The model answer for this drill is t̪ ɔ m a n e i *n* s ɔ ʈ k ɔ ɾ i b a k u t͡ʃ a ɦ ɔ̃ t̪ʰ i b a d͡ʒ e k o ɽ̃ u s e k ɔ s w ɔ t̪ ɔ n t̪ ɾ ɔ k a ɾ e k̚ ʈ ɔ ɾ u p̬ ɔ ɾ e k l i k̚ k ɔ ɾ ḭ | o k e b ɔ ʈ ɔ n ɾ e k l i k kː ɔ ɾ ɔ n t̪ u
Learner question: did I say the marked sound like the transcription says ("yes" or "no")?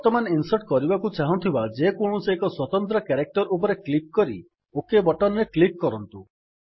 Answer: yes